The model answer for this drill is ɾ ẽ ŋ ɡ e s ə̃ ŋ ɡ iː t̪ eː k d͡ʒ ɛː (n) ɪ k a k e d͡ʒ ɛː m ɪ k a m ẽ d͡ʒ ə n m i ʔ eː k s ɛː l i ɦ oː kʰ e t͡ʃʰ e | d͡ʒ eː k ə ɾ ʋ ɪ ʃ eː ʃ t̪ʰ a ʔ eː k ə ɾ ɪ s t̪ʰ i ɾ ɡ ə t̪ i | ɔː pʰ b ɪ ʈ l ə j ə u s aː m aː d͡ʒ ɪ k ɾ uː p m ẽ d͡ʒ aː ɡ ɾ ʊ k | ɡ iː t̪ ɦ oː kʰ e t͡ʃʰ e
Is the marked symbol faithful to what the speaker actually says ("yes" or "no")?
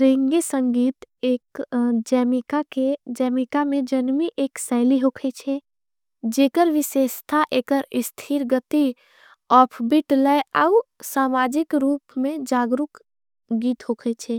no